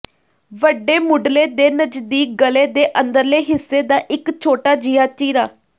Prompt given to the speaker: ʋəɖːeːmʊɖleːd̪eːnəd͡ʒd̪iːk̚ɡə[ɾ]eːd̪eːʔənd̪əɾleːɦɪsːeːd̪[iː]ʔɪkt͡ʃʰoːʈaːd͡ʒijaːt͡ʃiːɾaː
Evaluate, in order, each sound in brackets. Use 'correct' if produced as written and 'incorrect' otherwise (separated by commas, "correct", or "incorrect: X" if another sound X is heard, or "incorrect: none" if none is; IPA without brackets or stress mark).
incorrect: l, incorrect: aː